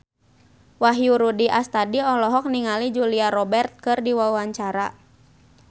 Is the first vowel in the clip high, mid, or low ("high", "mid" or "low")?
low